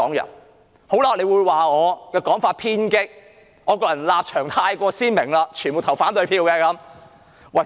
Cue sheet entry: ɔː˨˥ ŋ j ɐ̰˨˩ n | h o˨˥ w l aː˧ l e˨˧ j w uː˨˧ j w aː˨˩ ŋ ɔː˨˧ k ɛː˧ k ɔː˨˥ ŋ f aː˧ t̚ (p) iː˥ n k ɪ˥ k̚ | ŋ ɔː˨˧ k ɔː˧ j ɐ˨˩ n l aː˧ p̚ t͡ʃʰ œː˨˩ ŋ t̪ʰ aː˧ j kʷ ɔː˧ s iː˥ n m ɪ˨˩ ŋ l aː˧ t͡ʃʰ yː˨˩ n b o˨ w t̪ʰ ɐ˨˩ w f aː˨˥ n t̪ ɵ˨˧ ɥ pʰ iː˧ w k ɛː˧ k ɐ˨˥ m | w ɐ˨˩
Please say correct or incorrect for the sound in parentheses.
incorrect